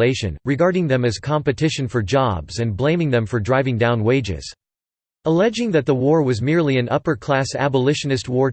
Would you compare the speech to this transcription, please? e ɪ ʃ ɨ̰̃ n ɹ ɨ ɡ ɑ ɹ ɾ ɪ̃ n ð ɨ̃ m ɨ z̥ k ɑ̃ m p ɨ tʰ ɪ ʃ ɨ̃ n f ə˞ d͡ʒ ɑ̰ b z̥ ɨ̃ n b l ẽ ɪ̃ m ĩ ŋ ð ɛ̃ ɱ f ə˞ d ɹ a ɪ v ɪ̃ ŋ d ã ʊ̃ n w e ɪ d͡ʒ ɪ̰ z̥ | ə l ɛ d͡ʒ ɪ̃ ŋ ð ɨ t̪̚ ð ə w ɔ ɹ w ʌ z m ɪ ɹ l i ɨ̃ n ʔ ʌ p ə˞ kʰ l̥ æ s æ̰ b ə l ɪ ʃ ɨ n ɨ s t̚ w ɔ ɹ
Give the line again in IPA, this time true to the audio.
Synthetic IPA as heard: e ɪ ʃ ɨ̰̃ n ɹ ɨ ɡ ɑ ɹ ɾ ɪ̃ ŋ ð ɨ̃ m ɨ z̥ kʰ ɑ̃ m p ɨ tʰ ɪ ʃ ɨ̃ n f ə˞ d͡ʒ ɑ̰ b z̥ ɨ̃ n b l ẽ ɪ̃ m ɪ̃ ŋ ð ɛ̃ ɱ f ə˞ d ɹ a ɪ v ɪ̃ ŋ d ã ʊ̃ n w e ɪ d͡ʒ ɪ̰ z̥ | ə l ɛ d͡ʒ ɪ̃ ŋ ð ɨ t̪̚ ð ə w ɔ ɹ w ʌ z m ɪ ɹ l i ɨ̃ n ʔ ʌ p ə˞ kʰ l̥ æ s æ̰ b ə l ɪ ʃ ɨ n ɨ s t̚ w ɔ ɹ